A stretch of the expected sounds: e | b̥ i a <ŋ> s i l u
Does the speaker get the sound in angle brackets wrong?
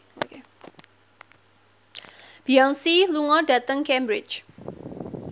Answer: no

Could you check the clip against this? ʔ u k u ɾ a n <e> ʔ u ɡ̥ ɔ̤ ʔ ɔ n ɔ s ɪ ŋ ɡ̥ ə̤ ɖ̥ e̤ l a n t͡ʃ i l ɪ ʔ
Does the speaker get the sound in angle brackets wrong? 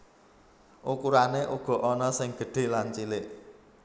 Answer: no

